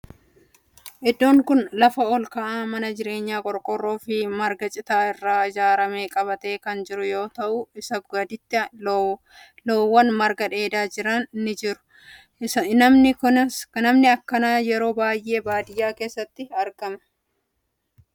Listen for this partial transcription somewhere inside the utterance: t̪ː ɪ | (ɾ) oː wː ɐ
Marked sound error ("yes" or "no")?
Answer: yes